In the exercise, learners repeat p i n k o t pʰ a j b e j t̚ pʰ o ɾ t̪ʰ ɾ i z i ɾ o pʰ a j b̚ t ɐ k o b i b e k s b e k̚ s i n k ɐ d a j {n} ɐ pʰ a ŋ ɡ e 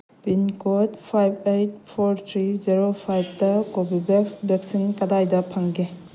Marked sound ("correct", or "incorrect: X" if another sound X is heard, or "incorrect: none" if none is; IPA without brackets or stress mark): incorrect: d